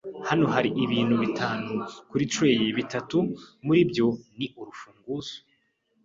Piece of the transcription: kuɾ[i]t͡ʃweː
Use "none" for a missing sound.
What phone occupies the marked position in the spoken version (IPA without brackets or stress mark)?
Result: i